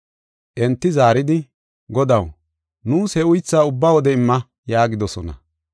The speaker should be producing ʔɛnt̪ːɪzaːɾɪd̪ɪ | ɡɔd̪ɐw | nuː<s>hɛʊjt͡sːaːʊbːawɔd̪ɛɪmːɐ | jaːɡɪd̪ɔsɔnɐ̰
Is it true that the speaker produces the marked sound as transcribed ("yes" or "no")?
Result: yes